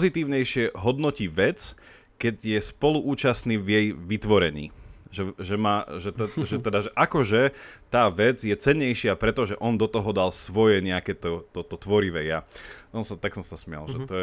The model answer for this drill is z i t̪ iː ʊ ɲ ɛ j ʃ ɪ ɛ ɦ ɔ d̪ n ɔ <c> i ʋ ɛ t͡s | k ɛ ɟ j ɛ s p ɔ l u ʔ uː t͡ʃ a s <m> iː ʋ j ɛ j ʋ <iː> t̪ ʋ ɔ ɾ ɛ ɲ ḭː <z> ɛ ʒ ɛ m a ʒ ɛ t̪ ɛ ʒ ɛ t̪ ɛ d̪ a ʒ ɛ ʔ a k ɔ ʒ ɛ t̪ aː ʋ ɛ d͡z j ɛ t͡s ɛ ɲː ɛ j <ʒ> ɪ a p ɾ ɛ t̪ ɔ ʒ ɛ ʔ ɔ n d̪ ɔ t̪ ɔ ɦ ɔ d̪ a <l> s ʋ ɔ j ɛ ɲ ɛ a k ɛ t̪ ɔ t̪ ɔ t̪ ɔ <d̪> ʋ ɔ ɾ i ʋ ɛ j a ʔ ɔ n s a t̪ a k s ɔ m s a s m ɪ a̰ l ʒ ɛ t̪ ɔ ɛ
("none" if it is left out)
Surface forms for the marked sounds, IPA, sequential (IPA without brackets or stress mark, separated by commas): c, n, i, ʒ, ʃ, l, t̪